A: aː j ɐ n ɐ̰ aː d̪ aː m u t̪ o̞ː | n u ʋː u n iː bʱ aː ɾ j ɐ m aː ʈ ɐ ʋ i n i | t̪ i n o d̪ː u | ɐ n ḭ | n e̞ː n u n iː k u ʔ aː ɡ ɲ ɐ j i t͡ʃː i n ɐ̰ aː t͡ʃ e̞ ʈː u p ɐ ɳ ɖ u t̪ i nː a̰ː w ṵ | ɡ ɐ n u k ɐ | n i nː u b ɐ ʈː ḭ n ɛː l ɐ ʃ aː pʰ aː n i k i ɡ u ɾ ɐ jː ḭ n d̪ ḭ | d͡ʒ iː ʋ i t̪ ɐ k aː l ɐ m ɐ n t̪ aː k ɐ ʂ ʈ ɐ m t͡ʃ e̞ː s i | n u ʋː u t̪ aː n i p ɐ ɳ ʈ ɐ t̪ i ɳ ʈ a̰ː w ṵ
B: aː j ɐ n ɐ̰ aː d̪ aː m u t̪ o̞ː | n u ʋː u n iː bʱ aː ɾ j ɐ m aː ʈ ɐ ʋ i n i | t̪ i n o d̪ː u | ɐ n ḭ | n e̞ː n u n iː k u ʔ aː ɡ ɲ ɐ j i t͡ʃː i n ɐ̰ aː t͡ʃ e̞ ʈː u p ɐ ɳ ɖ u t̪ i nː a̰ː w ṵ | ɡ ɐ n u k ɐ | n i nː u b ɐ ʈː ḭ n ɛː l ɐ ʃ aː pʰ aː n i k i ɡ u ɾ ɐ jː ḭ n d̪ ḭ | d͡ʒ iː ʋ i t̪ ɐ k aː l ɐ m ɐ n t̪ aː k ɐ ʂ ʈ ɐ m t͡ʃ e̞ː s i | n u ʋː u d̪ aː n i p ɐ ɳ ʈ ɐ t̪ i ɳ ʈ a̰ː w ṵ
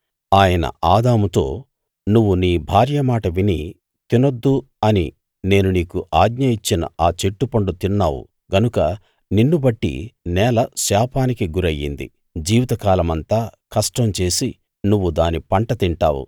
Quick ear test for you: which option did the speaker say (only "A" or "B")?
B